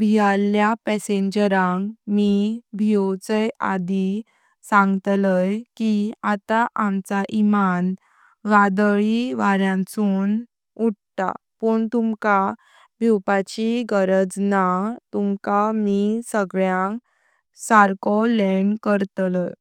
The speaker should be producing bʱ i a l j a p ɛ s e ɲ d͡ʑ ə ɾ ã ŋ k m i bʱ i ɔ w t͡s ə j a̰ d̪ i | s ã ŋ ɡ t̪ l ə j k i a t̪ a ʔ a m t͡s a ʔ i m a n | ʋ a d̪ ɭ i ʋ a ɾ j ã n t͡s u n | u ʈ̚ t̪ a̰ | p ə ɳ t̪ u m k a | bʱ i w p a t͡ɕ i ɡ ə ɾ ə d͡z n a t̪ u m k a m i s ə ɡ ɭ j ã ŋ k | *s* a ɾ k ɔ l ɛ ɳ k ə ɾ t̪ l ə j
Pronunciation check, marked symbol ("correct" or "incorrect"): correct